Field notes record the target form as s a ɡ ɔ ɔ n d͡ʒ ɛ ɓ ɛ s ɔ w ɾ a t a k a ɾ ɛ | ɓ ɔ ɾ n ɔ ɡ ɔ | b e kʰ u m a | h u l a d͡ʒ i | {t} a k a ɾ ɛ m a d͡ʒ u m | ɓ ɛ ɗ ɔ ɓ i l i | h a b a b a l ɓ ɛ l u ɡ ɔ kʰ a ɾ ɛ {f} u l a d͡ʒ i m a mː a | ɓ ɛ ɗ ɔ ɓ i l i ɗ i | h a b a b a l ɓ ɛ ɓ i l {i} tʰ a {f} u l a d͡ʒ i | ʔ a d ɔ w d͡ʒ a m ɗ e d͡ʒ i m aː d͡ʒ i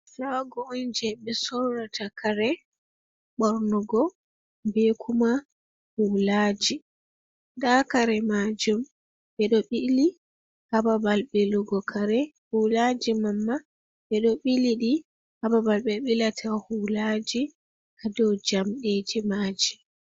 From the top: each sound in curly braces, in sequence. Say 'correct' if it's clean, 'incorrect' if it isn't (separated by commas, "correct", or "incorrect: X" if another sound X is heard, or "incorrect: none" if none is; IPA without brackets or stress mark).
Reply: incorrect: d, incorrect: h, incorrect: a, incorrect: h